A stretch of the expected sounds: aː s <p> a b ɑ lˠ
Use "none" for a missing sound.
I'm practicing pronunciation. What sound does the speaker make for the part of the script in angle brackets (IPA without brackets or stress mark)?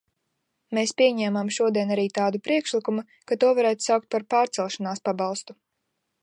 p